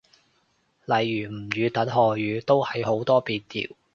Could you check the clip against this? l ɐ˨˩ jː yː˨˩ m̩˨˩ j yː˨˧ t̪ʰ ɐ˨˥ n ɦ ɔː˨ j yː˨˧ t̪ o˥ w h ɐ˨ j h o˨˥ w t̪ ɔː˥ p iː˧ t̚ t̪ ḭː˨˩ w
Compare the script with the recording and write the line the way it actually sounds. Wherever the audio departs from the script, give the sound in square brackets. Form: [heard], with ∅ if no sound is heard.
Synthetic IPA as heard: l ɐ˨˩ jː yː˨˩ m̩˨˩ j yː˨˧ [t̪] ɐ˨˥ n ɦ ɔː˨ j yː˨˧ t̪ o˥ w h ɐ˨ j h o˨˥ w t̪ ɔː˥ p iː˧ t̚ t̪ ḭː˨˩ w